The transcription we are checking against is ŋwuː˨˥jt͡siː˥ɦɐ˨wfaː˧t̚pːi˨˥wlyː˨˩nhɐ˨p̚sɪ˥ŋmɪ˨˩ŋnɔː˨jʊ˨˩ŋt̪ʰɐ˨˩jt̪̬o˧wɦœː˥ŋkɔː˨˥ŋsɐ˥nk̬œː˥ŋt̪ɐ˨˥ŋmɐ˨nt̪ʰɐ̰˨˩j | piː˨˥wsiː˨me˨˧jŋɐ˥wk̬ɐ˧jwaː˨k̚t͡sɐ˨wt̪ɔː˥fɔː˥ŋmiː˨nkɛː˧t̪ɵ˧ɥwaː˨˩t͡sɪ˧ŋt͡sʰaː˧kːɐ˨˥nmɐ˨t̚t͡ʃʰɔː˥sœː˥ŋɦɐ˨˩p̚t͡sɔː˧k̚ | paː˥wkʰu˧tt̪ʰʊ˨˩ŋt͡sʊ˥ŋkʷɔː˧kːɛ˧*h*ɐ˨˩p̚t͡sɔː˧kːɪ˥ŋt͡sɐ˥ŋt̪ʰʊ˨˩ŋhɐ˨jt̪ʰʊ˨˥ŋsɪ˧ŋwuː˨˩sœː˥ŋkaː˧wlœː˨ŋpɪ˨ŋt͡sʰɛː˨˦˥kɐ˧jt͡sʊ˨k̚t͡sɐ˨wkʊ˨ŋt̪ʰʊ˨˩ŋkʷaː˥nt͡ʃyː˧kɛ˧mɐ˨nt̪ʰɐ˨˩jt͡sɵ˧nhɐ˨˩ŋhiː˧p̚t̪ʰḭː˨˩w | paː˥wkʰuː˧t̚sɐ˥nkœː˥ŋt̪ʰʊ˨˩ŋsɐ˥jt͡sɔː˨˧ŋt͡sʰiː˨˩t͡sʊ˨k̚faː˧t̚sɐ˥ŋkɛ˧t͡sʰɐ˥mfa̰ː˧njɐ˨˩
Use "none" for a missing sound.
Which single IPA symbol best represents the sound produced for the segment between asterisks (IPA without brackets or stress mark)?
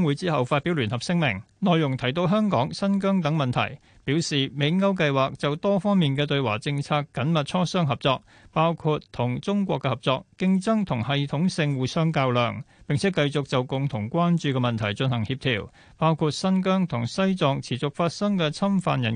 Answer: h